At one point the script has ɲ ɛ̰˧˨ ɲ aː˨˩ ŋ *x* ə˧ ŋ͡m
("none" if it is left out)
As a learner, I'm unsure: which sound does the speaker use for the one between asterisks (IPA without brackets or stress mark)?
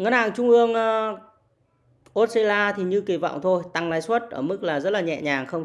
x